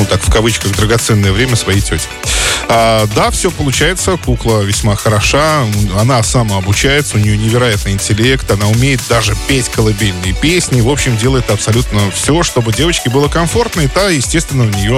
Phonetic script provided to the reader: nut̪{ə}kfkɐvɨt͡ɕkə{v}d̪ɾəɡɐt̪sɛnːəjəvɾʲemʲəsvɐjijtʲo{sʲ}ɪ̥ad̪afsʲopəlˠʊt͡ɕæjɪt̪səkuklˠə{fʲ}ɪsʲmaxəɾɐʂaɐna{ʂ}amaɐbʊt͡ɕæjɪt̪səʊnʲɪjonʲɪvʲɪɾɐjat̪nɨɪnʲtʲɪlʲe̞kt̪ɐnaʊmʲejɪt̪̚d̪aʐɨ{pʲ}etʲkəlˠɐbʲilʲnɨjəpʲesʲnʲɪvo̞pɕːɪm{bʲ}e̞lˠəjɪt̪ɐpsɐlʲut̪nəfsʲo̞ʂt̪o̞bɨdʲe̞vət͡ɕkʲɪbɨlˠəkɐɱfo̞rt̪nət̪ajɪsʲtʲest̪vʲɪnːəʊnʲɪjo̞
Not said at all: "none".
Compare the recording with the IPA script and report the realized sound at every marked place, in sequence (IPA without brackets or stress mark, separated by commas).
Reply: a, ɣ, tʲ, vʲ, s, pʲ, dʲ